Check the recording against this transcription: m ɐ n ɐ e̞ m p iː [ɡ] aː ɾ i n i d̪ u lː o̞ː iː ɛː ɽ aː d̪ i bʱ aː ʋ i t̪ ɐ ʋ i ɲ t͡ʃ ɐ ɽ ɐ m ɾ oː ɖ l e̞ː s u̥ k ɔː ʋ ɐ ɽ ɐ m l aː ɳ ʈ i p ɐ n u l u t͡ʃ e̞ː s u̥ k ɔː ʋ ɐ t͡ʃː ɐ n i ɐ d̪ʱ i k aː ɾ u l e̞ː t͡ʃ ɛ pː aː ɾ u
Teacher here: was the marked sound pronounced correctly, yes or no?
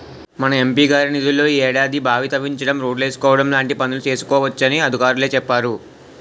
yes